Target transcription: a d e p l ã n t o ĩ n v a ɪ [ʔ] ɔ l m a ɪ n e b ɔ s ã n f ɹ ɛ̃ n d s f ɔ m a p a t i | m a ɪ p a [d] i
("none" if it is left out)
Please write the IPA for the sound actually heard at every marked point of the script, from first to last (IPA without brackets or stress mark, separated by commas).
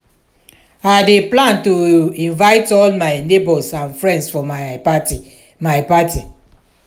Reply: t, t